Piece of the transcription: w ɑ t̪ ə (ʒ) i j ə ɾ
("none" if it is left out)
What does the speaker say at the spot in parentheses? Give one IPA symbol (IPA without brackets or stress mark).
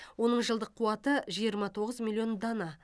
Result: ʒ